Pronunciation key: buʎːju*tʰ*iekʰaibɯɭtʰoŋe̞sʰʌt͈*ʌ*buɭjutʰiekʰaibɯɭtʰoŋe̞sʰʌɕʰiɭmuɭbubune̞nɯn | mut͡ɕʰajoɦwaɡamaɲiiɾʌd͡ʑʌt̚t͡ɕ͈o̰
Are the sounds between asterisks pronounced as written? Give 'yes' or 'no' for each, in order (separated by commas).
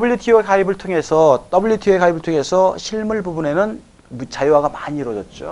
yes, yes